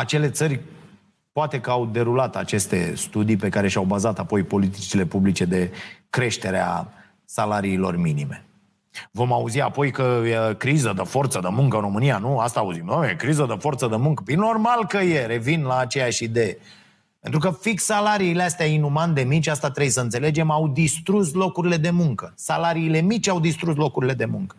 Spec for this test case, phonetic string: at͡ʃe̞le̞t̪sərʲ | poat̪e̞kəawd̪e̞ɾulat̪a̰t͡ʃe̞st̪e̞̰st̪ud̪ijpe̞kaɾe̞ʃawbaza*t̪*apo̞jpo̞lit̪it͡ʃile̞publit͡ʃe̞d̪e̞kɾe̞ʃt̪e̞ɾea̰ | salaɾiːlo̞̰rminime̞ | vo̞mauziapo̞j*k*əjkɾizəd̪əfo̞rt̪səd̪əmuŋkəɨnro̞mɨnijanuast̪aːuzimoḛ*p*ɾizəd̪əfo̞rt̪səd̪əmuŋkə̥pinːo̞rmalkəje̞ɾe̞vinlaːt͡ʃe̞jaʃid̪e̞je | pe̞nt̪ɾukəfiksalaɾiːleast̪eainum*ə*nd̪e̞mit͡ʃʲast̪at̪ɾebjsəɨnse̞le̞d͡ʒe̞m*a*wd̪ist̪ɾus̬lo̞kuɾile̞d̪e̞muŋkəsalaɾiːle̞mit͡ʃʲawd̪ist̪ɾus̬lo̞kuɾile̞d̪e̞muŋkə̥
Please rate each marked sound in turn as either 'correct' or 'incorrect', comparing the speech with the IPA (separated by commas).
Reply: correct, correct, incorrect, incorrect, correct